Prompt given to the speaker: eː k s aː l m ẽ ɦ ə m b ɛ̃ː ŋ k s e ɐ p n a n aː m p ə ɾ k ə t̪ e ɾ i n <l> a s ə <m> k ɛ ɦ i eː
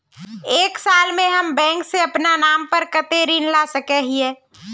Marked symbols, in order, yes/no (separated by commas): yes, no